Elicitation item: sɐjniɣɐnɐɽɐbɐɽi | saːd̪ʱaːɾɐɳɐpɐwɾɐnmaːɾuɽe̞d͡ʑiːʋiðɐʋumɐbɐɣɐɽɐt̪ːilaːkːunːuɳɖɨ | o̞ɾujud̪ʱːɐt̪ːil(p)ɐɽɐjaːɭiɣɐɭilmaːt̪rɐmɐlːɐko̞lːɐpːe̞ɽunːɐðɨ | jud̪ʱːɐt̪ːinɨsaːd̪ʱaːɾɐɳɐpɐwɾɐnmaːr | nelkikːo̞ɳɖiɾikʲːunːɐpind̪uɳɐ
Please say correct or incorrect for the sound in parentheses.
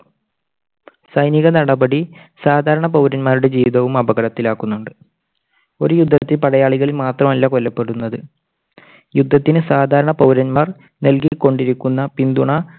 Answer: correct